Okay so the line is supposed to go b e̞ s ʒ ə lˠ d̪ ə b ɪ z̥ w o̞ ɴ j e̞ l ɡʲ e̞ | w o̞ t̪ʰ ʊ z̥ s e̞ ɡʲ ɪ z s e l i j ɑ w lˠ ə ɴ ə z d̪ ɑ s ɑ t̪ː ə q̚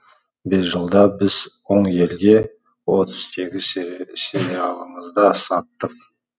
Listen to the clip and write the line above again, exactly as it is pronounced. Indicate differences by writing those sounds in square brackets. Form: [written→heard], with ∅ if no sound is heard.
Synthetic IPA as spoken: b e̞ s ʒ ə lˠ d̪ [ə→ɑ] b ɪ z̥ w o̞ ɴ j e̞ l ɡʲ e̞ | w o̞ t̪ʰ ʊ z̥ s e̞ ɡʲ ɪ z s e [l→ɾ] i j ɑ [w→∅] lˠ ə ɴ ə z d̪ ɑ s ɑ t̪ː ə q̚